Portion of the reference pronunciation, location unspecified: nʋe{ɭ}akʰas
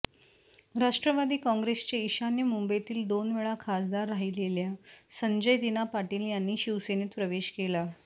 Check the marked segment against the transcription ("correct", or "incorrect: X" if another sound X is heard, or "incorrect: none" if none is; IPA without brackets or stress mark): correct